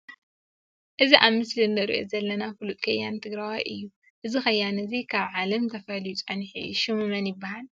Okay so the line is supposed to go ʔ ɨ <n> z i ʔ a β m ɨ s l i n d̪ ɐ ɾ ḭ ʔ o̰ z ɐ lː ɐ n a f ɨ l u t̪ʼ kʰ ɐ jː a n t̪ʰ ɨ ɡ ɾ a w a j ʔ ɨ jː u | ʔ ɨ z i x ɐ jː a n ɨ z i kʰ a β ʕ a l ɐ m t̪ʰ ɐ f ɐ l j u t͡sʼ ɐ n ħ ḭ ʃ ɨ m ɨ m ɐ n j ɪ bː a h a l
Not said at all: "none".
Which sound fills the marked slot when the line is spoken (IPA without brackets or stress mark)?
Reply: none